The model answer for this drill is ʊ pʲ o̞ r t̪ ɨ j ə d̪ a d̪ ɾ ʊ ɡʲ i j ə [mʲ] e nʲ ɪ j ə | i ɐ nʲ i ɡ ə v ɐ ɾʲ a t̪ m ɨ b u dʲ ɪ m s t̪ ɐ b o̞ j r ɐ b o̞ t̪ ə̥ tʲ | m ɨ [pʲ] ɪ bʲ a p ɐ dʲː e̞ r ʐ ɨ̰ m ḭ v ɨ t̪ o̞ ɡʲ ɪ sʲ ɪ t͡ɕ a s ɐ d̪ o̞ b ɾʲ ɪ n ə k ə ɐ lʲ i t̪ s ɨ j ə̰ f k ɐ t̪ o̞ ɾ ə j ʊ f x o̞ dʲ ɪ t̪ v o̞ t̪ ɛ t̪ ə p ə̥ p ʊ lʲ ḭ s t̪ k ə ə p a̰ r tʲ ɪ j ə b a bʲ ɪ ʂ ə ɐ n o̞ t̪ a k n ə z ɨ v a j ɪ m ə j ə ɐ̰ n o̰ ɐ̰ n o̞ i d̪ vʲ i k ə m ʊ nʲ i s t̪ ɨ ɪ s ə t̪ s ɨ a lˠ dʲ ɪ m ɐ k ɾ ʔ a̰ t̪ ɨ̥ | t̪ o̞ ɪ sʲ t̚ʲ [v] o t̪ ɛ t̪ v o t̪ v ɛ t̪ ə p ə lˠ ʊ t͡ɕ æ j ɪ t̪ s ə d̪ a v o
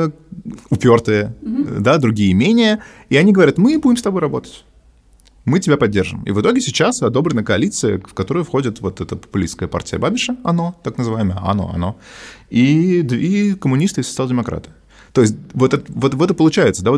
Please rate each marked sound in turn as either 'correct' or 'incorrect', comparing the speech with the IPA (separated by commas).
correct, incorrect, correct